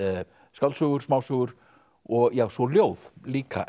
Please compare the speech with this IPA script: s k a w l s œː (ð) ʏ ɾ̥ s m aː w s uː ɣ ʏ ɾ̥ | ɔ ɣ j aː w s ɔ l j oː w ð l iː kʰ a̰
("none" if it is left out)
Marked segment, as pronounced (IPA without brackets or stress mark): ɣ